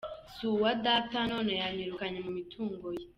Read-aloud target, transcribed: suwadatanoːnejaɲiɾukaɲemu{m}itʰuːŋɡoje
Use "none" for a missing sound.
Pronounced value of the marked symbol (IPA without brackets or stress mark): m